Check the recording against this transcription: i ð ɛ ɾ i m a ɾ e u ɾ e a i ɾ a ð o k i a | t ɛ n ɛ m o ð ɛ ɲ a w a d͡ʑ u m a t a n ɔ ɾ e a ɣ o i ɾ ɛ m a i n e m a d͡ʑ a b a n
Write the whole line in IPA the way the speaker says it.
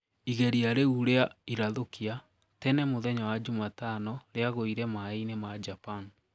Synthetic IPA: i ɣ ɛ ɾ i a ɾ e u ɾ e a i ɾ a ð o k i a | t ɛ n ɛ m o ð ɛ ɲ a w a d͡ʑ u m a t a n ɔ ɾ e a ɣ o i ɾ ɛ m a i n e m a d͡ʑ a p a n

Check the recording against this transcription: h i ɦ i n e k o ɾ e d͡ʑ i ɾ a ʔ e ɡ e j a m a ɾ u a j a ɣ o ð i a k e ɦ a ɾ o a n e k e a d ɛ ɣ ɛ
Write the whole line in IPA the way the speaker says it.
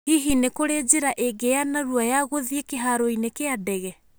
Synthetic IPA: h i ɦ i n e k o ɾ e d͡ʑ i ɾ a ʔ e ɡ e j a n a ɾ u a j a ɣ o ð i e k e ɦ a ɾ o i n e k e a d ɛ ɣ ɛ

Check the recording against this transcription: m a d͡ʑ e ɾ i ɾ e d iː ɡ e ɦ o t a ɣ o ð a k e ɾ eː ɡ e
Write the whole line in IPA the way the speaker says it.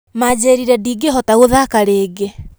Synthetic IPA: m a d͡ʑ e ɾ i ɾ ɛ d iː ɡ e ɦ ɔ t a ɣ o ð a k a ɾ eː ɡ e

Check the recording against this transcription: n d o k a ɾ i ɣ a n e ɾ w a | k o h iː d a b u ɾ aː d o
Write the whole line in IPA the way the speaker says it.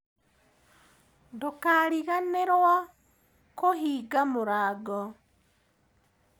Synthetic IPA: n d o k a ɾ i ɣ a n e ɾ w a | k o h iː ɡ a m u ɾ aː ɡ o

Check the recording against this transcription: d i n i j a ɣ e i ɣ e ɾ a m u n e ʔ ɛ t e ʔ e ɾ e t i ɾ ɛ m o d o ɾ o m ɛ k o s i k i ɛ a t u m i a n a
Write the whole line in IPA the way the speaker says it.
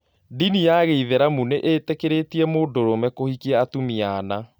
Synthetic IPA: d i n i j a ɣ e i ð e ɾ a m u n e ʔ e t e k e ɾ e t i ɛ m o d o ɾ o m ɛ k o h i k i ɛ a t u m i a n a

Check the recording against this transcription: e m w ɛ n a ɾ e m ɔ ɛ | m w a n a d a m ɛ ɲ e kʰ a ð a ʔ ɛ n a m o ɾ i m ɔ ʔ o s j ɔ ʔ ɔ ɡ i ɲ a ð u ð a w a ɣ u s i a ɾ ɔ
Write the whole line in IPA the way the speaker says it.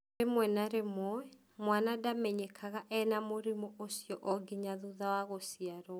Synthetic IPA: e m w ɛ n a ɾ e m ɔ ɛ | m w a n a d a m ɛ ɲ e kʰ a ɣ a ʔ ɛ n a m o ɾ i m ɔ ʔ o s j ɔ ʔ ɔ ɡ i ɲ a ð u ð a w a ɣ o s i a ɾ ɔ

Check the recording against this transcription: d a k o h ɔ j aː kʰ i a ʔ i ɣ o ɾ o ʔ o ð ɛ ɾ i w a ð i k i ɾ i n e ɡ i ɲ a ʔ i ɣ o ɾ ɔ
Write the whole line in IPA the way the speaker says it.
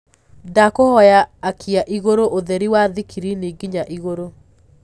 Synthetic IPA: d a k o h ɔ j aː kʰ i a ʔ i ɣ o ɾ o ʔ o ð ɛ ɾ i w a ð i k i ɾ i n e ɡ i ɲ a ʔ i ɣ o ɾ o

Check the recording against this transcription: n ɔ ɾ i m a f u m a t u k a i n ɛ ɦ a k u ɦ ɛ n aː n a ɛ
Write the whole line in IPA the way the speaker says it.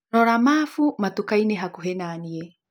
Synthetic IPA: n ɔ ɾ a m a f u m a t u k a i n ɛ ɦ a k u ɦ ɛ n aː n i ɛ

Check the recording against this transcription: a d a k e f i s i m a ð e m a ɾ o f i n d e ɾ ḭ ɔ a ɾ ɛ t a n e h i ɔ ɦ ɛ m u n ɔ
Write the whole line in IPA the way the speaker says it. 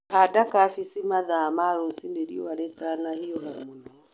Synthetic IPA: a d a k a f i s i m a ð a m a ɾ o s i n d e ɾ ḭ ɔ a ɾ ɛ t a n a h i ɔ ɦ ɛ m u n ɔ

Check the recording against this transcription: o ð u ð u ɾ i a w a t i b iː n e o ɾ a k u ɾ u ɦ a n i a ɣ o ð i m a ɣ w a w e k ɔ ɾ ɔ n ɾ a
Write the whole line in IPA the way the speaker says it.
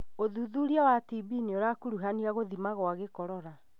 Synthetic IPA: o ð u ð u ɾ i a w a t i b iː n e o ɾ a k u ɾ u ɦ a n i a ɣ o ð i m a ɣ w a ɣ e k ɔ ɾ ɔ ɾ a

